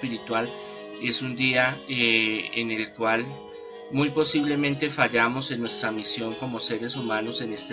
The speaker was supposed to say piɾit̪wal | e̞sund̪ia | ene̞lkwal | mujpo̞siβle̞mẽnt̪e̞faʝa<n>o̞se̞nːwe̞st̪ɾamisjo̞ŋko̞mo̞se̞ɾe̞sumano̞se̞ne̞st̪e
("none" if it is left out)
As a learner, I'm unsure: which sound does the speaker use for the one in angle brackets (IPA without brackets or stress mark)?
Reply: m